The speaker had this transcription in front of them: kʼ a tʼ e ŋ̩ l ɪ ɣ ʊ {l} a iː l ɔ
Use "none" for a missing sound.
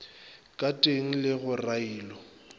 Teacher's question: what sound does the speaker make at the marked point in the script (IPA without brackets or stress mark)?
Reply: r